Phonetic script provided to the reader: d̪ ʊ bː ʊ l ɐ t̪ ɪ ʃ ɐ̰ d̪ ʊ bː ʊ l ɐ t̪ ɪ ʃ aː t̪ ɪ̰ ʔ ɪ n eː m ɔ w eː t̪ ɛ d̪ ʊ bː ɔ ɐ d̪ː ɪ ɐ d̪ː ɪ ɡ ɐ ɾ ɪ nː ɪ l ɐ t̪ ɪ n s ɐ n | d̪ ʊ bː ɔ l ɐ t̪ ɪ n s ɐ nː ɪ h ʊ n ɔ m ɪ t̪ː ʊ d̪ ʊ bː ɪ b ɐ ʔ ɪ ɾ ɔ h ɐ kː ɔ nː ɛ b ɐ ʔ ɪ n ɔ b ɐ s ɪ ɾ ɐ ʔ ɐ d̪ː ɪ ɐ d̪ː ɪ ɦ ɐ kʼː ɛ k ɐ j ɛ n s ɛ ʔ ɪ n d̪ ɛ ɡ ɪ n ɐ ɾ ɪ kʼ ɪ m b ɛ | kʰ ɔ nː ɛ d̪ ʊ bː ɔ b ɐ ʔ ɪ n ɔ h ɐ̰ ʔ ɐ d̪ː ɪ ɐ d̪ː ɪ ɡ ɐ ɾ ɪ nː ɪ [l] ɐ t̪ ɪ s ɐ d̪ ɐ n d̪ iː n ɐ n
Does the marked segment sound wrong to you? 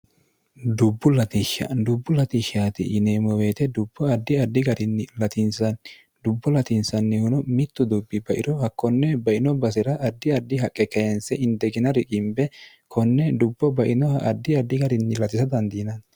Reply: no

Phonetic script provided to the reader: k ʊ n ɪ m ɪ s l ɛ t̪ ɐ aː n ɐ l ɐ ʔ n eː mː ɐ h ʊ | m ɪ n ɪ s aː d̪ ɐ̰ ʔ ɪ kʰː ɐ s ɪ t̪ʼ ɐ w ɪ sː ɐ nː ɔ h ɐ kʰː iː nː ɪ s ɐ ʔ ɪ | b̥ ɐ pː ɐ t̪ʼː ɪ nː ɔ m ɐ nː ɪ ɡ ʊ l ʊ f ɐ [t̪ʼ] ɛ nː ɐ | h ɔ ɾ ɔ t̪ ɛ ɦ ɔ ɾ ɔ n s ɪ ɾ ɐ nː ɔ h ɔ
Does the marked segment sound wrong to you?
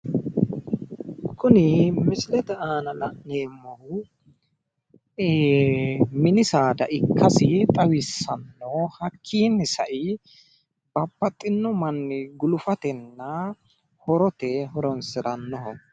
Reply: yes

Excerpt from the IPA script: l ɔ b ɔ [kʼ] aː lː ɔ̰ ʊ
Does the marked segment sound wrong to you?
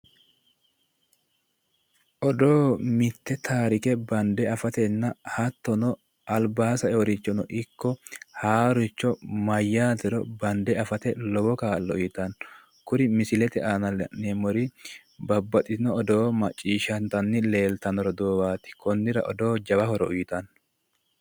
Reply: yes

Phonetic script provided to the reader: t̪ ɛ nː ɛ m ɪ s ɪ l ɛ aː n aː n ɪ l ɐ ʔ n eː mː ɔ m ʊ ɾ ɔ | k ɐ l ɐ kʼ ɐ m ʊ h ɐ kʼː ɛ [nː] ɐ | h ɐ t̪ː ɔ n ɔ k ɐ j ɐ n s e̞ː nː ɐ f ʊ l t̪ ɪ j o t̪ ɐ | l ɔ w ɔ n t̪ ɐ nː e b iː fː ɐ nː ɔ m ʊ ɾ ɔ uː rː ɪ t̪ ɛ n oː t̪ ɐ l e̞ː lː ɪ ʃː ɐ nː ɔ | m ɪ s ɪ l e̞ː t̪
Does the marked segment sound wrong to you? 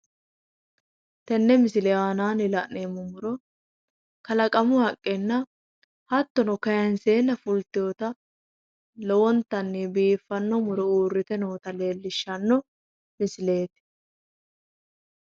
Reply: no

